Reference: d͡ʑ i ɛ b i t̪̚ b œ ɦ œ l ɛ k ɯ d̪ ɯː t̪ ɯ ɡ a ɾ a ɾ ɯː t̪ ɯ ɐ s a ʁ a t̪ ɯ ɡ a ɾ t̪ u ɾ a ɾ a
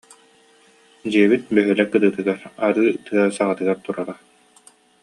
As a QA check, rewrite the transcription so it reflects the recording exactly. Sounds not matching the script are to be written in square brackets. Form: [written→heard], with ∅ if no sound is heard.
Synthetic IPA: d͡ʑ i ɛ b i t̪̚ b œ ɦ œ l ɛ k ɯ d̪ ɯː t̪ ɯ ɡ a ɾ a ɾ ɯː t̪ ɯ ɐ s a ʁ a t̪ ɯ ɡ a ɾ t̪ u ɾ a ɾ a